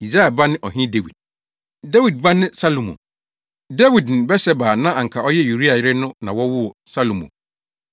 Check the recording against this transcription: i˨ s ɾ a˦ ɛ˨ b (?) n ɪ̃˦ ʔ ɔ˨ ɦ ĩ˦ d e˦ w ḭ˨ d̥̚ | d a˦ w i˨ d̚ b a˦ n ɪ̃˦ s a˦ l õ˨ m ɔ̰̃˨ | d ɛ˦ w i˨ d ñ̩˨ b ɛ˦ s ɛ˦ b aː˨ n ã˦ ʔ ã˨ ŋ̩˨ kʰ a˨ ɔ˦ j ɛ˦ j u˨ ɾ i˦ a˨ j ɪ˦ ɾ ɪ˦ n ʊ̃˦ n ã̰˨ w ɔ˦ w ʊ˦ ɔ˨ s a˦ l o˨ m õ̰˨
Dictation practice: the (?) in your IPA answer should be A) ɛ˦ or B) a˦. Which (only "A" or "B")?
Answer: B